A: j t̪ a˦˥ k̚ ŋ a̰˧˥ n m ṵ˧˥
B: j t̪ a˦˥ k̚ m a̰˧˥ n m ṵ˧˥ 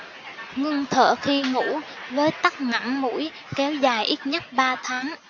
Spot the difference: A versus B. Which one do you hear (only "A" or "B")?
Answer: A